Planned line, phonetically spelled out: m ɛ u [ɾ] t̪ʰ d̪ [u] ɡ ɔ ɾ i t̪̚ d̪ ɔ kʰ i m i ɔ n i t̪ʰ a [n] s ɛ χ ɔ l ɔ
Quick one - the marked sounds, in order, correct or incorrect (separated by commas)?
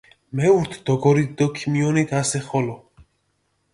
correct, incorrect, incorrect